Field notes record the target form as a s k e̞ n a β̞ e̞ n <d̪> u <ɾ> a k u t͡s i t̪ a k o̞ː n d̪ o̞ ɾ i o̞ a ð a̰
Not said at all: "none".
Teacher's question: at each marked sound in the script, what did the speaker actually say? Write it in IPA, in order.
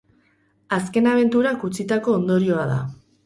t̪, ɾ

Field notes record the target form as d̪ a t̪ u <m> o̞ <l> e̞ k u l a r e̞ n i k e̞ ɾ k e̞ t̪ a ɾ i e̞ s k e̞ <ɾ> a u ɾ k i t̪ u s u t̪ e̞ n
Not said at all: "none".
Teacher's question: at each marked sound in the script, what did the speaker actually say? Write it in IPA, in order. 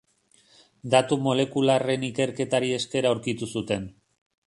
m, l, ɾ

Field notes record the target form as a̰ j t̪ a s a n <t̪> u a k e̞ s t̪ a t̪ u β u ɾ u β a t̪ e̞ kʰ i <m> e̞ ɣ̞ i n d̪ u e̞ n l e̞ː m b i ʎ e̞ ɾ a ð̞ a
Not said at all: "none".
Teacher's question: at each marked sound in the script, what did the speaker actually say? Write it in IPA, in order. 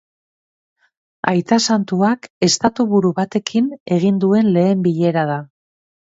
t̪, n

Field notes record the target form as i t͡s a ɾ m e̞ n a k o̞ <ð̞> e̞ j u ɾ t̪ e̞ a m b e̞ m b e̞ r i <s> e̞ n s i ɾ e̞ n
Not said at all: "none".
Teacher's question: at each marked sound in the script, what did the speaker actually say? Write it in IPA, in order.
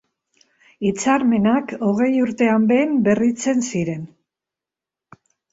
ɣ̞, t͡s

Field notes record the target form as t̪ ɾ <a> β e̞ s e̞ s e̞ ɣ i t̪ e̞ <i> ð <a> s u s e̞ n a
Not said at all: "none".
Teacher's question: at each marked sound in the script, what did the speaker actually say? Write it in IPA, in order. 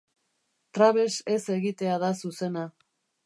a, a, a

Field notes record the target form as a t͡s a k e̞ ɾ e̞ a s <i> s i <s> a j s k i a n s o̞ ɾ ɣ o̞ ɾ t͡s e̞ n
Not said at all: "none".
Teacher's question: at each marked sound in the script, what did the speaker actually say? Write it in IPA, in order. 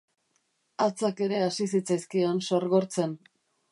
i, t͡s

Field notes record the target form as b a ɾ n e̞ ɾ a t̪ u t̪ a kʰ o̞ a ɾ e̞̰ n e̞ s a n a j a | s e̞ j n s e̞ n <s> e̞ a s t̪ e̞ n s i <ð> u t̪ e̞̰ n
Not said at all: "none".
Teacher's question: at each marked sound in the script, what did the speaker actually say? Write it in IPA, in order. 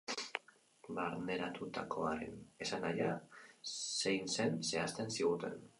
s, ɣ

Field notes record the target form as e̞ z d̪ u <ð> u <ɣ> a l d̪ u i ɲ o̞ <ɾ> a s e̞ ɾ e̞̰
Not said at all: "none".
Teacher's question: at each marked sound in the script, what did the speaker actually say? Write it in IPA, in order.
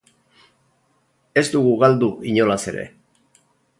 ɣ, ɣ, l

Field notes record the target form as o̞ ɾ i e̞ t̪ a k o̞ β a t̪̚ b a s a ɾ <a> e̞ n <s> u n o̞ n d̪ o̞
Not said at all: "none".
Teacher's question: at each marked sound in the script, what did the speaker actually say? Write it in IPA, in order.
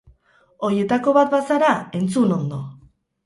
a, t͡s

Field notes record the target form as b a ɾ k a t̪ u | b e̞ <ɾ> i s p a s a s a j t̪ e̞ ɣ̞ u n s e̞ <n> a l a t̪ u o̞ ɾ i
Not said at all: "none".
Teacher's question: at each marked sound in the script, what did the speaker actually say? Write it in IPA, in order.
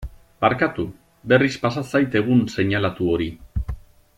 r, ɲ

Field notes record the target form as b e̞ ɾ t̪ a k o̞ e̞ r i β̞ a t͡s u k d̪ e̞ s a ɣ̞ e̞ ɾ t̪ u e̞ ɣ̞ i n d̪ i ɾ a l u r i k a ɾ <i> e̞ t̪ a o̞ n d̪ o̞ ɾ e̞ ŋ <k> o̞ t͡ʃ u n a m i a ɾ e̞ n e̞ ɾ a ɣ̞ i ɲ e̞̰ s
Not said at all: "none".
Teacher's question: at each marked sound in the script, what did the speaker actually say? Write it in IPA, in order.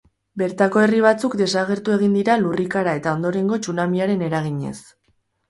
a, ɡ

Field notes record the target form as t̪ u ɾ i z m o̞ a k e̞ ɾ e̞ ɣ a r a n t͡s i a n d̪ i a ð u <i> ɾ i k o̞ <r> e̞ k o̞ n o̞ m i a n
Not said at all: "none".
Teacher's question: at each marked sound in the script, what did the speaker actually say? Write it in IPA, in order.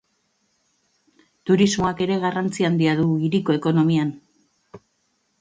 i, none

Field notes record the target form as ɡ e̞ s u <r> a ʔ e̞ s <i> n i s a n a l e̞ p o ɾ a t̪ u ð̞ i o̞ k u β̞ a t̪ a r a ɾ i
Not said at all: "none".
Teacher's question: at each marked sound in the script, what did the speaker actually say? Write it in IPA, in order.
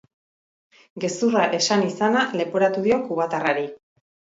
r, a

